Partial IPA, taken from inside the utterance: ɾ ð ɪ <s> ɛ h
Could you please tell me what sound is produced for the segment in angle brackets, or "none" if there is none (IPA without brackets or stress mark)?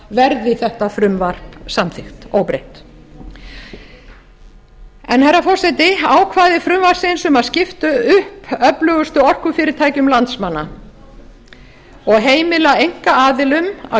θ